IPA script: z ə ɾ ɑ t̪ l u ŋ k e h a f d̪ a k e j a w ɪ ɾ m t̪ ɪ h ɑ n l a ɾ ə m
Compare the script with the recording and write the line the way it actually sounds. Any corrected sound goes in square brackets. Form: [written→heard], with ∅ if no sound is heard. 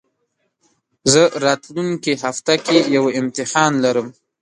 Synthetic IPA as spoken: z ə ɾ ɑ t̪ l u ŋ k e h a f [d̪→t̪] a k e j a w ɪ [ɾ→∅] m t̪ ɪ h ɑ n l a ɾ ə m